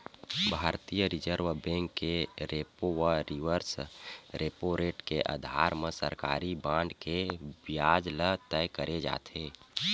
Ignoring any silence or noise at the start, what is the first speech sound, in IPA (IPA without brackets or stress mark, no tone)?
bʱ